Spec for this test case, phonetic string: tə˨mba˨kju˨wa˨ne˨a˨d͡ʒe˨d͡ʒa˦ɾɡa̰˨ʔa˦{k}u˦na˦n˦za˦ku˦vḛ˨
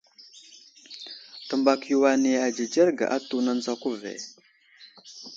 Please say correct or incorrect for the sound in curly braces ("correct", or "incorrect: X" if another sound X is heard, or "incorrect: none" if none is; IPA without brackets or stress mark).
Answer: incorrect: t